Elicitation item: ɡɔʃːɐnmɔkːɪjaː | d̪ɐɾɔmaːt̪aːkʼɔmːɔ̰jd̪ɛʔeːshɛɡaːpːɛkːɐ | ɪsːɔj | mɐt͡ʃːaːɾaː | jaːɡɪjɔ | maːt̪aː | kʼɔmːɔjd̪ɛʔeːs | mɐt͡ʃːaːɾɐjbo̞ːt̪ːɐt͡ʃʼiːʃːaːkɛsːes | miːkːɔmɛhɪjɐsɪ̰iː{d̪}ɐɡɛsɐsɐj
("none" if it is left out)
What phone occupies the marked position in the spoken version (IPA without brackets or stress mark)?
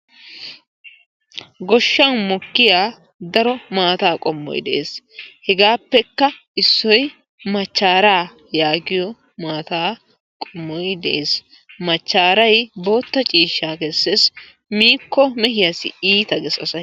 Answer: t̪